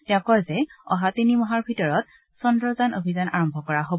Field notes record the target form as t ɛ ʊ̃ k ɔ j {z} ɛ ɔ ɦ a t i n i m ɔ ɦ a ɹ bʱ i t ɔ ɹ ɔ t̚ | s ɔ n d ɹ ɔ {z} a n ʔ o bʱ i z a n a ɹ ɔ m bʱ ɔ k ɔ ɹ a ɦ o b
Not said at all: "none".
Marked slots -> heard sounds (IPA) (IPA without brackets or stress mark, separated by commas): z, z